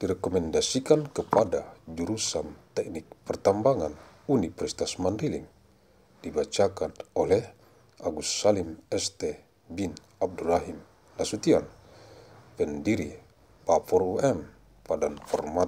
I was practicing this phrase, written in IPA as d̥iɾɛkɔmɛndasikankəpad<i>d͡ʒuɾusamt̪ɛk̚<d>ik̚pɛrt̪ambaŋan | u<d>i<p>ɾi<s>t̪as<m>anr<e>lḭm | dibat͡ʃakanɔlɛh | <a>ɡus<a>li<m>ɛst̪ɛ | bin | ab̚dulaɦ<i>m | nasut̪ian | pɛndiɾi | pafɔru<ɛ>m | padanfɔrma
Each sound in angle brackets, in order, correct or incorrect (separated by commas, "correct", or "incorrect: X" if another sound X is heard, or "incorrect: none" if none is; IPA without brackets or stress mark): incorrect: a, incorrect: n, incorrect: n, correct, correct, correct, incorrect: i, correct, correct, correct, correct, correct